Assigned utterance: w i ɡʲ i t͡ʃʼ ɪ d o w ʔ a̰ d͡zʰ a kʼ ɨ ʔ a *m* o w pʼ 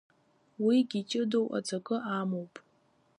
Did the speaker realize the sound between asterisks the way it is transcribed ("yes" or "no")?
yes